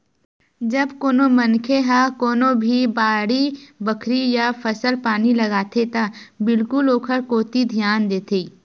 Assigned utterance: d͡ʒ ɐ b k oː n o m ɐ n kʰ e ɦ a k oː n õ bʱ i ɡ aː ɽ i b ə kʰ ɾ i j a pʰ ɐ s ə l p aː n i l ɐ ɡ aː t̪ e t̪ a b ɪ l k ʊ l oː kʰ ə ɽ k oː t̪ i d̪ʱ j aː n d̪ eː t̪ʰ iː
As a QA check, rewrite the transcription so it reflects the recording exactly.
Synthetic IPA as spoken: d͡ʒ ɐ b k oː n o m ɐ n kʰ e ɦ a k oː n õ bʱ i b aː ɽ i b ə kʰ ɾ i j a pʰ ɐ s ə l p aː n i l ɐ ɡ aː t̪ e t̪ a b ɪ l k ʊ l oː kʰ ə ɾ k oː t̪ i d̪ʱ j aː n d̪ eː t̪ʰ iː